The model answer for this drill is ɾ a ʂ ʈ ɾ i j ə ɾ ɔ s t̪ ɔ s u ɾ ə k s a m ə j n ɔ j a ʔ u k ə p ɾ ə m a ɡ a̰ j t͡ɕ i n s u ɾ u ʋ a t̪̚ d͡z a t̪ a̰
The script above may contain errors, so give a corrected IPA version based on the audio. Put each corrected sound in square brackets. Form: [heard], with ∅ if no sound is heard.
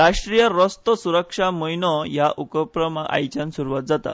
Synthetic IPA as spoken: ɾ a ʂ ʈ ɾ i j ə ɾ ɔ s t̪ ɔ s u ɾ ə k [ʂ] a m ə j n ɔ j a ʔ u k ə p ɾ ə m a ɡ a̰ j t͡ɕ [a] n s u ɾ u ʋ a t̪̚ d͡z a t̪ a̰